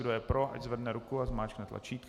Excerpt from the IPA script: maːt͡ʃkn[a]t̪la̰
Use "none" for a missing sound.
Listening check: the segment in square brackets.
ɛ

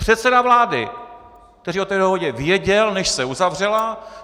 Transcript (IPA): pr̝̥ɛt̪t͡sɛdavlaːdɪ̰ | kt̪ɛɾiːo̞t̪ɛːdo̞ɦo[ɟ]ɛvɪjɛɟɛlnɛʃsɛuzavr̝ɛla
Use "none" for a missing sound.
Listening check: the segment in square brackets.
ɟ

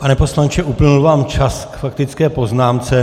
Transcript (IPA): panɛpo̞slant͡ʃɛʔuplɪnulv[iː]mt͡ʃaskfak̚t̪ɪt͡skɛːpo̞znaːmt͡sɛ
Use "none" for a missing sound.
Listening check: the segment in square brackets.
aː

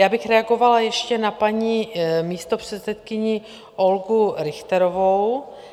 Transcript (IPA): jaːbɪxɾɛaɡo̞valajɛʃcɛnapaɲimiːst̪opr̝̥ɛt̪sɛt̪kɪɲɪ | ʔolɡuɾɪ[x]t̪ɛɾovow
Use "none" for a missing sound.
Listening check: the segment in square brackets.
x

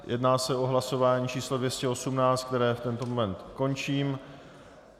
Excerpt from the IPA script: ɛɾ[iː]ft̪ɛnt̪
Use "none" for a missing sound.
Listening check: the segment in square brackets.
ɛː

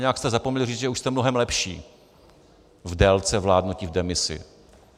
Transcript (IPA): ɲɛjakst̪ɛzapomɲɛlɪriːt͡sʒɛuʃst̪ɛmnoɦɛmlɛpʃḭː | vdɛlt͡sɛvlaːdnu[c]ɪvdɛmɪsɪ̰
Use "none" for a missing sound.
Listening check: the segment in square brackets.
c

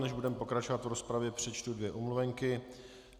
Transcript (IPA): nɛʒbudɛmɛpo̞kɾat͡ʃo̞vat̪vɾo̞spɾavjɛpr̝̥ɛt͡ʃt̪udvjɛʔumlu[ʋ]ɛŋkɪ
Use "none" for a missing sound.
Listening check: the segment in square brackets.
v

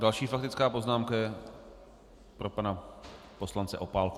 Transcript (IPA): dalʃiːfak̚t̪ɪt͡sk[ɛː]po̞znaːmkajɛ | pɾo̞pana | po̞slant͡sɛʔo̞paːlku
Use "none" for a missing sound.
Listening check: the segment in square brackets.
aː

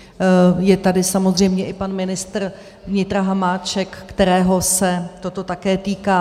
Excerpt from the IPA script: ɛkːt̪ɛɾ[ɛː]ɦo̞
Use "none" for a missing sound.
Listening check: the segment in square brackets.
ɛː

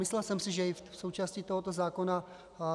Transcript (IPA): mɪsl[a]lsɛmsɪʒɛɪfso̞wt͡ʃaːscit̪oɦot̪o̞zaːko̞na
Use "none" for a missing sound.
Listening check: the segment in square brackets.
ɛ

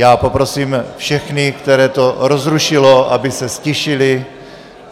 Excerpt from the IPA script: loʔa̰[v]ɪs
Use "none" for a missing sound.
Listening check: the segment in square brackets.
b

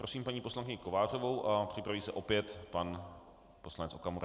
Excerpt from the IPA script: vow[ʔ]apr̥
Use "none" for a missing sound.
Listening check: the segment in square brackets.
ʔ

